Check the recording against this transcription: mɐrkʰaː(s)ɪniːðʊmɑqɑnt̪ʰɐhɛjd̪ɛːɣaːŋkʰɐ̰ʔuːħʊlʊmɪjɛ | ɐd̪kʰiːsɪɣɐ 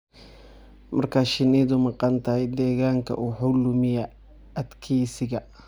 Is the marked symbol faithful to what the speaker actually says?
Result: no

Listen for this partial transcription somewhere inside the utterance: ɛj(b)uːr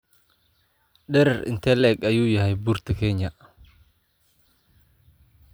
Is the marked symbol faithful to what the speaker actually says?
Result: yes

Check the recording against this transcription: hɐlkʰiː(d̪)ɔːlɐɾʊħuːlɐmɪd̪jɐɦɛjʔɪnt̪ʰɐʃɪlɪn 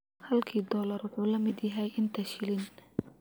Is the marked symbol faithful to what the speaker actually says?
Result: yes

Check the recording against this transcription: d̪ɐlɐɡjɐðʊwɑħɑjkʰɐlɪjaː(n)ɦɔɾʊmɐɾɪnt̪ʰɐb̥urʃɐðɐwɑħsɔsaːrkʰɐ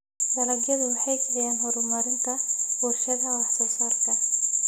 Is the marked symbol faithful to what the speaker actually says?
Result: yes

